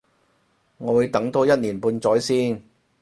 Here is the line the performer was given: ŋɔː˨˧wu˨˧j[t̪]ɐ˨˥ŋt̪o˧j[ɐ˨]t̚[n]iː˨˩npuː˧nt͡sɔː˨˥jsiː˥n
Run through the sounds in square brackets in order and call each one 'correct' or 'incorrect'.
correct, incorrect, correct

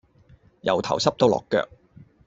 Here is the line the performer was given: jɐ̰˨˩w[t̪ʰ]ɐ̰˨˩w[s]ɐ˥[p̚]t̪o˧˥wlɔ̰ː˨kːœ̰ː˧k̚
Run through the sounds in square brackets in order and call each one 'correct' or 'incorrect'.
correct, correct, correct

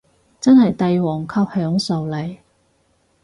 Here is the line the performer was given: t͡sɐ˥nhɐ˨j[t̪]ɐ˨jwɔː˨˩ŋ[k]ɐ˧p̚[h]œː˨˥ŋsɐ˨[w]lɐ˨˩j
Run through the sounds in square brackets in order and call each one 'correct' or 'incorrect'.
correct, incorrect, correct, correct

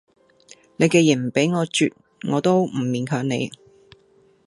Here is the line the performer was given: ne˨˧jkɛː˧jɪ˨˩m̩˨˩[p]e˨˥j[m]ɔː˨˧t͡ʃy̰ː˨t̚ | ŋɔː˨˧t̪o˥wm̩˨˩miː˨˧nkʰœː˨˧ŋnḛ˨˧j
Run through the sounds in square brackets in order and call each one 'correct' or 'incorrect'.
correct, incorrect

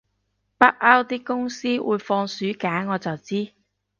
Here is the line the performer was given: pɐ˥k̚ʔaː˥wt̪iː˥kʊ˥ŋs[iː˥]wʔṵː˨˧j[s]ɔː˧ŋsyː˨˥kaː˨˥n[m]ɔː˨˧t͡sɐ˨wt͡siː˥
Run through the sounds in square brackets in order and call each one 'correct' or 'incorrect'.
correct, incorrect, incorrect

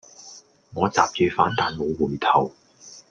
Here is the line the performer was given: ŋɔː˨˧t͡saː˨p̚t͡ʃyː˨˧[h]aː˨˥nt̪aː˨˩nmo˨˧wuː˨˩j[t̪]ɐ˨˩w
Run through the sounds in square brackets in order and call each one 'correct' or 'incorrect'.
incorrect, incorrect

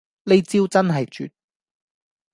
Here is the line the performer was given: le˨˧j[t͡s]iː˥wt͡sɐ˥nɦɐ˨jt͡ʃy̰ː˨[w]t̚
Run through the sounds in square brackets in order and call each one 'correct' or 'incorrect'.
correct, incorrect

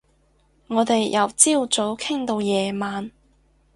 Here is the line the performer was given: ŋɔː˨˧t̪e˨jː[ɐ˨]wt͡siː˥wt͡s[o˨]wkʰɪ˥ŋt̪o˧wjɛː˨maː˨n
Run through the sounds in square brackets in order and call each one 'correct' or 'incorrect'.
correct, incorrect

